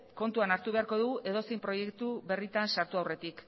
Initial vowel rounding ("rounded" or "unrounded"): rounded